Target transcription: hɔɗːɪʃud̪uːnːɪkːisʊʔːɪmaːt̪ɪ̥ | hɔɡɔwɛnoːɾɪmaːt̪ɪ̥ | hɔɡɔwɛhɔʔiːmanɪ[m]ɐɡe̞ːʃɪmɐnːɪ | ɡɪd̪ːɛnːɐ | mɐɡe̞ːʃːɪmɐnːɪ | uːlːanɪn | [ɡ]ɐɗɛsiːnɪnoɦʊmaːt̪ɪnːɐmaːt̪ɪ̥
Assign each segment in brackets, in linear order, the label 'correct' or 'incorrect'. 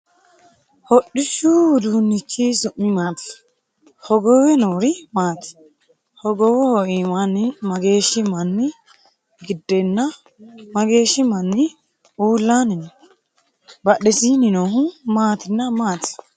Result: correct, incorrect: b

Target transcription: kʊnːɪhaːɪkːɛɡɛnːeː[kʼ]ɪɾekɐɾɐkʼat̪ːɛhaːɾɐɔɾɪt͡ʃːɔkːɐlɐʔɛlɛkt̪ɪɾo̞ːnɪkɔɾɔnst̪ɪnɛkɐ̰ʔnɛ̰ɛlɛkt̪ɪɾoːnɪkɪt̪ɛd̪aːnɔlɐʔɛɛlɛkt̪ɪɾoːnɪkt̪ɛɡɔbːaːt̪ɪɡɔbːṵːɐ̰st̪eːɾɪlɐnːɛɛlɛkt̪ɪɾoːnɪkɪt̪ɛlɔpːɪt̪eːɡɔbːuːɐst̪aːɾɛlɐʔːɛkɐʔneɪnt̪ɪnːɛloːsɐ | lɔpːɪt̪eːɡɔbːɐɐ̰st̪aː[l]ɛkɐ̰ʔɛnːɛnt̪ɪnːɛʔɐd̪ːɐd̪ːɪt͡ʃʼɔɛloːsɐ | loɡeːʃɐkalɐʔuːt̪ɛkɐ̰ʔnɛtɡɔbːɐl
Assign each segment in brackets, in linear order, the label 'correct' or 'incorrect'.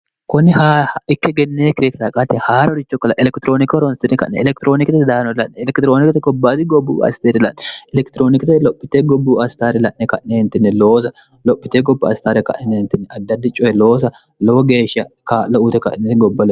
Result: incorrect: k, incorrect: ɾ

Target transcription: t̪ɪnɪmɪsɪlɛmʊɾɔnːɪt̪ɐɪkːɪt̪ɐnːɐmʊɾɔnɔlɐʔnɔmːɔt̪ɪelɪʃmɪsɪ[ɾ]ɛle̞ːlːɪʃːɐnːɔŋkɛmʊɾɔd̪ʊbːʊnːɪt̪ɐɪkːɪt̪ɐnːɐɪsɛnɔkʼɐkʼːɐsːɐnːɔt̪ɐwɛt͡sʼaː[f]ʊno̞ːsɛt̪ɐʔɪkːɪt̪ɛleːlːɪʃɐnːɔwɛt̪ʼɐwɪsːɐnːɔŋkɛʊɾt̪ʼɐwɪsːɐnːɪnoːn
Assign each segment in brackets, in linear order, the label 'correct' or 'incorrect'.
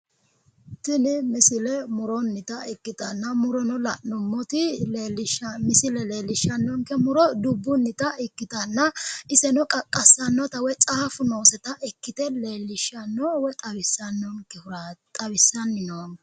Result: incorrect: l, correct

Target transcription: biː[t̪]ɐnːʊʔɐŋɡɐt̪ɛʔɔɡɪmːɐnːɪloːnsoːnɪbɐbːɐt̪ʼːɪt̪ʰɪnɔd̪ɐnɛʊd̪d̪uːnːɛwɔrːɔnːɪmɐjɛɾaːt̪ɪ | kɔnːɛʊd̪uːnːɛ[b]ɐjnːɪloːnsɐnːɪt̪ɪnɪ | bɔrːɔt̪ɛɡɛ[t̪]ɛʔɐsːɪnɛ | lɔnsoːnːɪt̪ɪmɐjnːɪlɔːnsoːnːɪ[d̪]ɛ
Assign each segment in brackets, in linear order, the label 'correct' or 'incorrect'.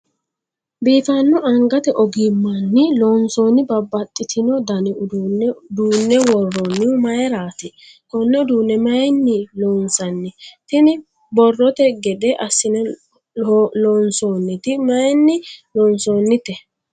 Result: correct, incorrect: m, incorrect: d̪, incorrect: t̪

